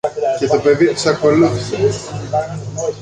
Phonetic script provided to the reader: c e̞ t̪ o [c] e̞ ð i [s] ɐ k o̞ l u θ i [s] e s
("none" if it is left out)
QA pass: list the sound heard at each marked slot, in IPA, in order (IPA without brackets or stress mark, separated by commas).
p, s, s